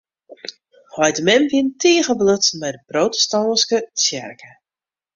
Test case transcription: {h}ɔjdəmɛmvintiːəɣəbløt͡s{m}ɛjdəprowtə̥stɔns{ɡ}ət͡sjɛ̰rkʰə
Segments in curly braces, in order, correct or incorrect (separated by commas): correct, correct, incorrect